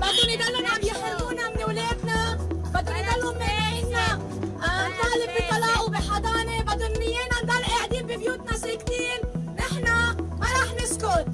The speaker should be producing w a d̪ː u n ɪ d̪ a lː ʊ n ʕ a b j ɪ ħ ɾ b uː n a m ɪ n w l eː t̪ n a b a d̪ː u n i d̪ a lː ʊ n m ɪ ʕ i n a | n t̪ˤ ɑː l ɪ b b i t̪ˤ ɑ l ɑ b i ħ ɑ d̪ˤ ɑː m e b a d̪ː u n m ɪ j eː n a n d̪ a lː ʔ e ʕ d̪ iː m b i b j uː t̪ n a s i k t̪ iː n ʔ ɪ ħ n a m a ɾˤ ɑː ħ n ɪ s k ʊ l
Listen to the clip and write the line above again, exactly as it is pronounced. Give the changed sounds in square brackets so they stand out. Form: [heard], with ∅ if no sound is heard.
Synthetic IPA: [b] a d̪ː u n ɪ d̪ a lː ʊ n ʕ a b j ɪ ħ ɾ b uː n a m ɪ n w l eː [d̪] n a b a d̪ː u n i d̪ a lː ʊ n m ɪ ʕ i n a | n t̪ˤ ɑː l ɪ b b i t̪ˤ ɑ l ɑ b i ħ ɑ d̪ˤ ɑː [n] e b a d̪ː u n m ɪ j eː n a n d̪ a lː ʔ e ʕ d̪ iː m b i b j uː t̪ n a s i k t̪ iː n ʔ ɪ ħ n a m a ɾˤ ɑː ħ n ɪ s k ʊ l